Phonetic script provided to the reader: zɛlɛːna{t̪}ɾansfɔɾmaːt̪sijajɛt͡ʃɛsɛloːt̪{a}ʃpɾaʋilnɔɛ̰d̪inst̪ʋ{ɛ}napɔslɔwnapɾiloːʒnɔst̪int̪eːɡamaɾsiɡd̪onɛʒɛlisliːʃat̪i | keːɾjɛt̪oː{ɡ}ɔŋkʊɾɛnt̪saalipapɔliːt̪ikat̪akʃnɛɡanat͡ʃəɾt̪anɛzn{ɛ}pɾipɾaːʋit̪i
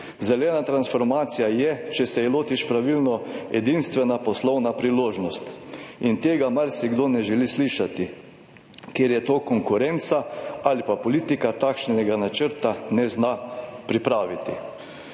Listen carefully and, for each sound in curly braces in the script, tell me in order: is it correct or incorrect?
correct, incorrect: i, correct, incorrect: k, incorrect: a

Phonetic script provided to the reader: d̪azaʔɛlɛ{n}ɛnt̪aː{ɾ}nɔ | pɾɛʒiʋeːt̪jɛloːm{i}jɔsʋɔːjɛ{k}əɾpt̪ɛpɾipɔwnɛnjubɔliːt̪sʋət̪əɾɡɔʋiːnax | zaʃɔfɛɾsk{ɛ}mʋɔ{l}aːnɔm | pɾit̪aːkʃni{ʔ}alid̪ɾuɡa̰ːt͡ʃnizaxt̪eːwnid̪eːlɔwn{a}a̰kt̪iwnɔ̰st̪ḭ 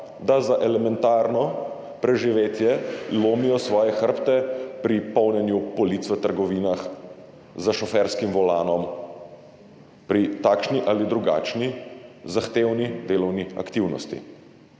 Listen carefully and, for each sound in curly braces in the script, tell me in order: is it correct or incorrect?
incorrect: m, correct, correct, incorrect: x, incorrect: i, correct, correct, incorrect: i

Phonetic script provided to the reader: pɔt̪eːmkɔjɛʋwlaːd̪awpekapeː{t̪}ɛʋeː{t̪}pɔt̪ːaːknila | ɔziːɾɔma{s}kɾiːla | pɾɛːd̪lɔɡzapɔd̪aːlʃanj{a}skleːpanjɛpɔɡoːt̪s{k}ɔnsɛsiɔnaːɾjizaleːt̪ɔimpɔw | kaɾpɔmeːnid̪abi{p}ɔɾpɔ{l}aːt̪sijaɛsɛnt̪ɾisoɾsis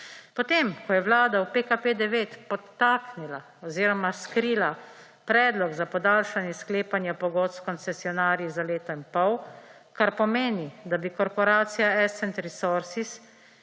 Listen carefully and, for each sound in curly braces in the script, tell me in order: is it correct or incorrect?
incorrect: d̪, correct, correct, incorrect: ɛ, correct, incorrect: k, incorrect: ɾ

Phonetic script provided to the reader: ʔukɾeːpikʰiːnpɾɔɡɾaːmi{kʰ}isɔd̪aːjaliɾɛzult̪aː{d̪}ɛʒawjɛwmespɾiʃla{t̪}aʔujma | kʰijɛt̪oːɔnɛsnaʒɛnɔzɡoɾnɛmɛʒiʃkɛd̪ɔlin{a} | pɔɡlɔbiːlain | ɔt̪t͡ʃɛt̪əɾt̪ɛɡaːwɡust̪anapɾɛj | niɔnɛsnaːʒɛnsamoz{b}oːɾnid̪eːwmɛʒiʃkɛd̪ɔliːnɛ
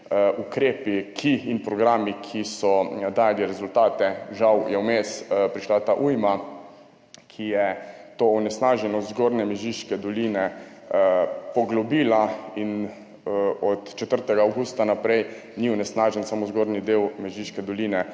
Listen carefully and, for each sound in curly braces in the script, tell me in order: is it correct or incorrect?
correct, incorrect: t̪, correct, incorrect: ɛ, incorrect: ɡ

